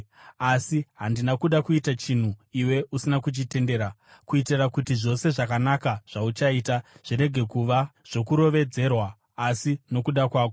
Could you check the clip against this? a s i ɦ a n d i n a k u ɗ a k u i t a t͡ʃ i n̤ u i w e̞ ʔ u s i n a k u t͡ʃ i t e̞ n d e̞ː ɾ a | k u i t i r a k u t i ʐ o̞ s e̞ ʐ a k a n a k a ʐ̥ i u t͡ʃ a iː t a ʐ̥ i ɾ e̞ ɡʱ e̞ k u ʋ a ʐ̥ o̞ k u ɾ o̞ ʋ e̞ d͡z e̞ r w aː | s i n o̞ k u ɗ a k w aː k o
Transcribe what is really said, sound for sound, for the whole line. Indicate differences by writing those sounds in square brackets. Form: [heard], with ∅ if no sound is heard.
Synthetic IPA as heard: a s i ɦ a n d i n a k u ɗ a k u i t a t͡ʃ i n̤ u i w e̞ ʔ u s i n a k u t͡ʃ i t e̞ n d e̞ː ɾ a | k u i t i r a k u t i ʐ o̞ s e̞ ʐ a k a n a k a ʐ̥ [a] u t͡ʃ a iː t a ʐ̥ i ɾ e̞ ɡʱ e̞ k u ʋ a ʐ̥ o̞ k u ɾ o̞ ʋ e̞ d͡z e̞ r w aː | s i n o̞ k u ɗ a k w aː k o